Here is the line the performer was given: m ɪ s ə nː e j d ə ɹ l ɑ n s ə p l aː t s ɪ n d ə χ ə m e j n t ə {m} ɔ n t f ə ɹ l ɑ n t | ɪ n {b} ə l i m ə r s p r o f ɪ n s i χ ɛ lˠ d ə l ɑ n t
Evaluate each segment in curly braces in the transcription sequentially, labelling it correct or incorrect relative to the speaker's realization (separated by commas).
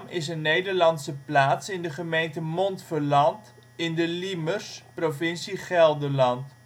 correct, incorrect